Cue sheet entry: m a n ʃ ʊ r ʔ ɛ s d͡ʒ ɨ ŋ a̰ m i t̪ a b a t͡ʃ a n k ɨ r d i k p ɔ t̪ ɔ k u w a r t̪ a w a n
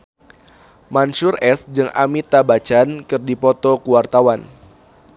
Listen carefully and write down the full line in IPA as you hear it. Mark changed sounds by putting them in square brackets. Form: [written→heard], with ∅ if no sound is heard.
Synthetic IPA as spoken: m a n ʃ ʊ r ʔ ɛ s d͡ʒ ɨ ŋ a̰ m i t̪ a b a t͡ʃ a n k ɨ r d i [k→∅] p ɔ t̪ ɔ k u w a r t̪ a w a n